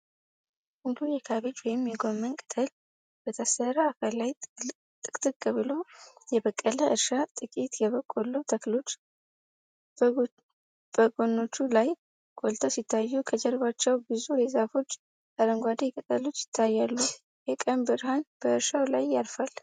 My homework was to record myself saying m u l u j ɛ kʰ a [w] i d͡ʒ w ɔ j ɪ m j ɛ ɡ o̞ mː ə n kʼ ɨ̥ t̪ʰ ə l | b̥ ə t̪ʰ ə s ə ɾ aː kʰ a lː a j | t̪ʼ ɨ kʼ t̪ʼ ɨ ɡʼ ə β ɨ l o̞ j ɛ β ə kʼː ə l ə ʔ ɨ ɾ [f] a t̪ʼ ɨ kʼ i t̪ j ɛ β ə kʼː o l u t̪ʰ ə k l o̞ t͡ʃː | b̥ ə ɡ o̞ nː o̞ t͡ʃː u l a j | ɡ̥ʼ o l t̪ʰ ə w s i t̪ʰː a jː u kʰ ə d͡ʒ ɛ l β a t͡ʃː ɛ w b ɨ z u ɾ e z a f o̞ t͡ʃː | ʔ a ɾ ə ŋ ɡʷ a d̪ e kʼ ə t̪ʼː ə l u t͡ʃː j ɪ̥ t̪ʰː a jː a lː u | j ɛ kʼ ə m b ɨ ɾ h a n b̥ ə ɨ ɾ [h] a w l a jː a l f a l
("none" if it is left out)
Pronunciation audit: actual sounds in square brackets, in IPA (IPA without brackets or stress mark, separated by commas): β, ʃ, ʃ